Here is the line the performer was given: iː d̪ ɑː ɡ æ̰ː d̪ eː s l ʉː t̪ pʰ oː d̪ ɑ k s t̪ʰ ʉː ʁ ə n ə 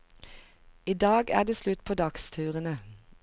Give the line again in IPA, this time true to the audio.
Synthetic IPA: iː d̪ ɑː ɡ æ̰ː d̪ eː s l ʉ t̪ pʰ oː d̪ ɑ k s t̪ʰ ʉː ʁ ə n ə